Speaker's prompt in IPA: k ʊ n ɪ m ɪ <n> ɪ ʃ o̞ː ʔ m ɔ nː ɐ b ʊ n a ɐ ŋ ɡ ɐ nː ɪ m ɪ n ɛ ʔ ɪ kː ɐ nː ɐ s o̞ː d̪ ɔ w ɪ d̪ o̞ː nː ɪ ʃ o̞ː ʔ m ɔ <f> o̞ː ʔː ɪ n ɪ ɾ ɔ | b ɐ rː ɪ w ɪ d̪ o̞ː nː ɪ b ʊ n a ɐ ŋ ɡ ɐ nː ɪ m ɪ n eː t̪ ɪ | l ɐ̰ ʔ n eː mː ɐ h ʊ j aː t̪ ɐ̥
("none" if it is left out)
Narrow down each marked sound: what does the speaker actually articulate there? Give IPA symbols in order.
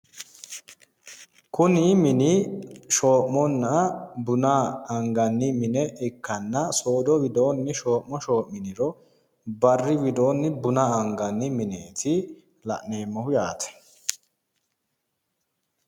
n, ʃ

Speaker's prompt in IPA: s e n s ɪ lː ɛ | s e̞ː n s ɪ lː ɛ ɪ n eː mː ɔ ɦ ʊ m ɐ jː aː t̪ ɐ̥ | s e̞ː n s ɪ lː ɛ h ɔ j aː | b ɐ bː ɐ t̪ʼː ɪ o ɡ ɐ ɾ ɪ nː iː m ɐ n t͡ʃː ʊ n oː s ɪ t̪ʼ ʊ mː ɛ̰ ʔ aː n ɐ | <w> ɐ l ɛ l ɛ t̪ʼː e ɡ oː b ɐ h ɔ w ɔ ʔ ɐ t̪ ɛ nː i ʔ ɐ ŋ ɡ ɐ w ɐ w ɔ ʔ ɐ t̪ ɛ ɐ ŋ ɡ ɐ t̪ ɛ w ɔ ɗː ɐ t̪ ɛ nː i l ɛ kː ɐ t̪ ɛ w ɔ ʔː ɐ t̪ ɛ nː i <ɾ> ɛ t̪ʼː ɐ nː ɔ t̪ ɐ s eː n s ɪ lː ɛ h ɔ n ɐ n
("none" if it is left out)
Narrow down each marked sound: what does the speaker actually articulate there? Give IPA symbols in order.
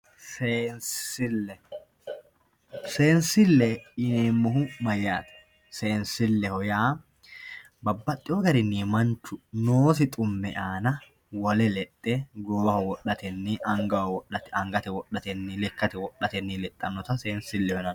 w, l

